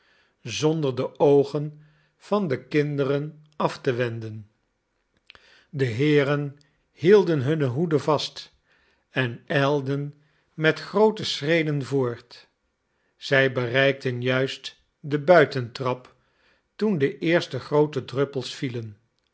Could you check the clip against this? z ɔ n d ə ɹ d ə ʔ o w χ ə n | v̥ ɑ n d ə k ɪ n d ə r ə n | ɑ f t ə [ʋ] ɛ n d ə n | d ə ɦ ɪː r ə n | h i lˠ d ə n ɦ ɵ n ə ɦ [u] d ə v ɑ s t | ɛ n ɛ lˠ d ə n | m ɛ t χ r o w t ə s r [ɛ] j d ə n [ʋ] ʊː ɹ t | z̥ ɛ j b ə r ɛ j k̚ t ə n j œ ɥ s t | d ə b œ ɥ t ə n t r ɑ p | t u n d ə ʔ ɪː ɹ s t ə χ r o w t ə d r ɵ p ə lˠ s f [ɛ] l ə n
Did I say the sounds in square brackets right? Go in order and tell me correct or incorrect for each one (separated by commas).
correct, correct, incorrect, incorrect, incorrect